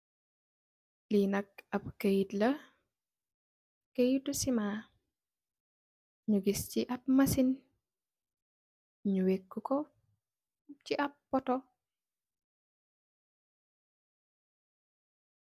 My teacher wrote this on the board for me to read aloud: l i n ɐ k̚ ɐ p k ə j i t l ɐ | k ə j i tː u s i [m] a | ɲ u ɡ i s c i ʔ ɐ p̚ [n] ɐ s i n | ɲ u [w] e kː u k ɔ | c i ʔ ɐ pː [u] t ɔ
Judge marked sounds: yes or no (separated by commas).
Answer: yes, no, yes, no